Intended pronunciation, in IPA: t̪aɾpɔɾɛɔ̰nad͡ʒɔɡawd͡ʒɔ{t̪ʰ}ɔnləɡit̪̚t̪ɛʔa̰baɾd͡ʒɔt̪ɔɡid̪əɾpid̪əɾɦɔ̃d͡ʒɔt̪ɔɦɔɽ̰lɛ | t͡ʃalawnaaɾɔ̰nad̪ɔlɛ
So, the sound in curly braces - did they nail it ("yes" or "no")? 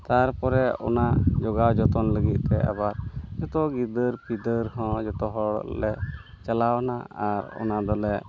no